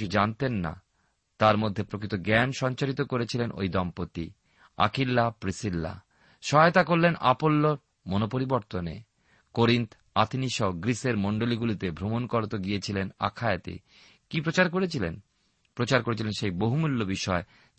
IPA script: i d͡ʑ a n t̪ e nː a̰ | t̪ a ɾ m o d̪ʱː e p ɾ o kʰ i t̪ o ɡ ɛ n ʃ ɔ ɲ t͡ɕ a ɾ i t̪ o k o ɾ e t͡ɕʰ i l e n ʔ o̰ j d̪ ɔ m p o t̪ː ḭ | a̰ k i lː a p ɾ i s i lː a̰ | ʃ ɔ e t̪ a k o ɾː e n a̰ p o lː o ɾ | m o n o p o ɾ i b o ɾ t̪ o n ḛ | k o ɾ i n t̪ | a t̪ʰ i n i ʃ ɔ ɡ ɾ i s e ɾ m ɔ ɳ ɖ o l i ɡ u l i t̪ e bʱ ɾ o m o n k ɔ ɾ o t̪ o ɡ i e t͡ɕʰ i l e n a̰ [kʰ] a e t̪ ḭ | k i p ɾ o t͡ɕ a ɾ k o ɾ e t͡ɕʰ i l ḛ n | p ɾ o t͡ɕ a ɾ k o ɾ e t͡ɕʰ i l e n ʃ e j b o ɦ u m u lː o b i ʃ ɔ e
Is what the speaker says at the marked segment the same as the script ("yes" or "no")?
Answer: yes